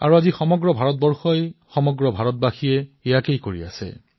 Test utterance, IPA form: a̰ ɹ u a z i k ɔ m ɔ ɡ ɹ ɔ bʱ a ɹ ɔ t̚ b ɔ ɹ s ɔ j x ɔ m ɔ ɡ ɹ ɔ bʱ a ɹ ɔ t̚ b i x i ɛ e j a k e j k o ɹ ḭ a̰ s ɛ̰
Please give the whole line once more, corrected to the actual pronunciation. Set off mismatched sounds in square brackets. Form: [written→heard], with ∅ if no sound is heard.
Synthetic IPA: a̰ ɹ u a z i [k→x] ɔ m ɔ ɡ ɹ ɔ bʱ a ɹ ɔ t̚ b ɔ ɹ [s→x] ɔ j x ɔ m ɔ ɡ ɹ ɔ bʱ a ɹ ɔ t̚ b [i→a] x i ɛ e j a k e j k o ɹ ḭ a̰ s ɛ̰